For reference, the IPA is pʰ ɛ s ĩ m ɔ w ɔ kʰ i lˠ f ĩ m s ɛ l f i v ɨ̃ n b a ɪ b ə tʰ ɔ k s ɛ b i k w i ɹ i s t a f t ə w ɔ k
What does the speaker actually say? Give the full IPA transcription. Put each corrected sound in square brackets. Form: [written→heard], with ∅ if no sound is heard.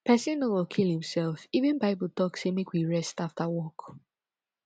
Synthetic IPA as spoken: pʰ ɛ s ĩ [m→n] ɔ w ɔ kʰ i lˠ [f→h] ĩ m s ɛ l f i v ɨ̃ n b a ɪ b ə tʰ ɔ k s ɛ [b→m] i k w i ɹ [i→ɛ] s t a f t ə w ɔ k